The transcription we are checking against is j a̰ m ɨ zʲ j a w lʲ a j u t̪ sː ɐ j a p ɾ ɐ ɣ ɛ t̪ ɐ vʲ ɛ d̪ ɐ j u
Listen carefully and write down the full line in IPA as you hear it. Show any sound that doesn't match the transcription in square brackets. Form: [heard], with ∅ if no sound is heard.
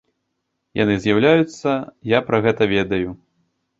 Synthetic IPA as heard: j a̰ [n] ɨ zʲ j a w lʲ a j u t̪ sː ɐ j a p ɾ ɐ ɣ ɛ t̪ ɐ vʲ ɛ d̪ ɐ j u